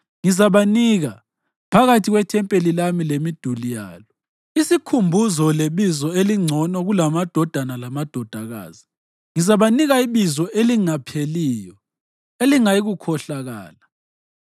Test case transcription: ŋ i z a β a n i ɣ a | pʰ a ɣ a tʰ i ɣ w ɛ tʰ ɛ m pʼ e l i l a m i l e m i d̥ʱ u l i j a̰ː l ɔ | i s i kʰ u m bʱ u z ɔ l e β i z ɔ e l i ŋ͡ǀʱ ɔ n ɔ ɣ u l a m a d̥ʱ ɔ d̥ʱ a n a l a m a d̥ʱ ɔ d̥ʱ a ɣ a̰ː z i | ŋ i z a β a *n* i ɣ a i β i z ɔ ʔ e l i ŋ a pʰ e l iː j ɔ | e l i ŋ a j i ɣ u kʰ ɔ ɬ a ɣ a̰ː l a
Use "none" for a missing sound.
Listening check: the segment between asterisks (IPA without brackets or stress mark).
n